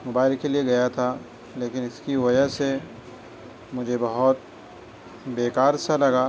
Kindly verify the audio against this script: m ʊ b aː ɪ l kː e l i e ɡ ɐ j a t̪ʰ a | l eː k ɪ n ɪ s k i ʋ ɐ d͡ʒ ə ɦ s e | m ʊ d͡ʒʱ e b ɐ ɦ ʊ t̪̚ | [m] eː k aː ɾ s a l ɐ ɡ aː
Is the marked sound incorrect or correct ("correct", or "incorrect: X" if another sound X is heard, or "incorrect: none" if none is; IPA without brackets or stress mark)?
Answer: incorrect: b